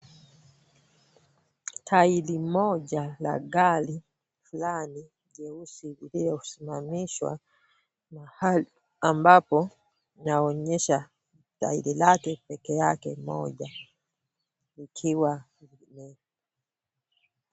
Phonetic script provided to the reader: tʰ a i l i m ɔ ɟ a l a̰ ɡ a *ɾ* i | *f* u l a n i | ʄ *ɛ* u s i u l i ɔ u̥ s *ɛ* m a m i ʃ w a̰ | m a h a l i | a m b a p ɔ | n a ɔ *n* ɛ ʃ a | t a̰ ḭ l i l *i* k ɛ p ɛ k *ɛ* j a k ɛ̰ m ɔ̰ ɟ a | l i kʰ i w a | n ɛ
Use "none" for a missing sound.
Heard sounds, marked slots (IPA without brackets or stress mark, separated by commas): l, f, ɛ, i, ɲ, a, ɛ